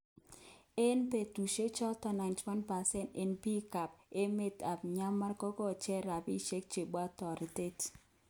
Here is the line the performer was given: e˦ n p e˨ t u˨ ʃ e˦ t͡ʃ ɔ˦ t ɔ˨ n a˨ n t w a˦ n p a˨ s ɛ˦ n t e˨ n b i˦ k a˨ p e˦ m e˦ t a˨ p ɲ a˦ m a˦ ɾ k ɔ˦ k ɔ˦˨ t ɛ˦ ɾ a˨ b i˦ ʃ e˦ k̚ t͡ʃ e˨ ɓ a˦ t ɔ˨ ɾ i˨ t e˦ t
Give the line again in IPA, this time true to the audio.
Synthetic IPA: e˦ n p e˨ t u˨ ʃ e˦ t͡ʃ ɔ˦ t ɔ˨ n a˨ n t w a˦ n p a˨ s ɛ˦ n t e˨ n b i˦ k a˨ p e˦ m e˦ t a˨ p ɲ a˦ m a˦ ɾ k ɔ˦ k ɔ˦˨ t͡ʃ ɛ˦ ɾ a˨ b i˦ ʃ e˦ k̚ t͡ʃ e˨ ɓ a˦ t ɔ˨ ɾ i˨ t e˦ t